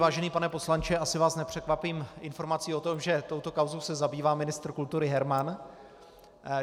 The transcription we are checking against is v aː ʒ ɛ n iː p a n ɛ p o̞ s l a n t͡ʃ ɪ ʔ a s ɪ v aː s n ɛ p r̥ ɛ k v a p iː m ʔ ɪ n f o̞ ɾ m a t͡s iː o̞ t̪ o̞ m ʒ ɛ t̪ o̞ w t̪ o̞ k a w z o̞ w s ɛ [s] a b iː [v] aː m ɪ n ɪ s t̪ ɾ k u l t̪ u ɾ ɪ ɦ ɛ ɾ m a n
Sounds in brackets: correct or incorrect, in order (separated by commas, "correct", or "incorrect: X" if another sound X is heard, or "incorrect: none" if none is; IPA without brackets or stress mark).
incorrect: z, correct